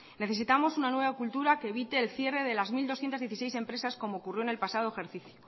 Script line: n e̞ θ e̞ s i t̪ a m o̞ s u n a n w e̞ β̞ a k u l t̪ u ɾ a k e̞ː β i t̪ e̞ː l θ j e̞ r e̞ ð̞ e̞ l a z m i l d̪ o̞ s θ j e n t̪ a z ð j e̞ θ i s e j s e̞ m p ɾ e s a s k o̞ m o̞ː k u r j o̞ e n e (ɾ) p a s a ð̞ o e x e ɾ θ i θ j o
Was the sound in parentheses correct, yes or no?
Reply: no